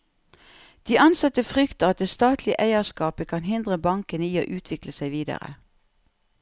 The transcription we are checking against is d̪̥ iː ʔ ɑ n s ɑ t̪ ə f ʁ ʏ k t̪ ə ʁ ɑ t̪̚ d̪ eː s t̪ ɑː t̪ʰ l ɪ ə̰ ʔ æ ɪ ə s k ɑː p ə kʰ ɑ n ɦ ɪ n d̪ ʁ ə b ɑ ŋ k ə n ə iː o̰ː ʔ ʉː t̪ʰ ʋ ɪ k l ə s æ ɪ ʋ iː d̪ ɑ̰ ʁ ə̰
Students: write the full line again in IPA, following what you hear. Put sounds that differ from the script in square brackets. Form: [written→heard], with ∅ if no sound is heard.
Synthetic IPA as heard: d̪̥ iː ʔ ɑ n s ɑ t̪ ə f ʁ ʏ k t̪ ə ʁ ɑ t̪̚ d̪ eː s t̪ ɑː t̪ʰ l ɪ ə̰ ʔ æ ɪ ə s k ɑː p ə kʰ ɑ n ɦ ɪ n d̪ ʁ ə b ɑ ŋ k ə n ə iː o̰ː ʔ ʉː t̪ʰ ʋ ɪ k l ə s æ ɪ ʋ iː d̪ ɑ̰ ʁ ə̰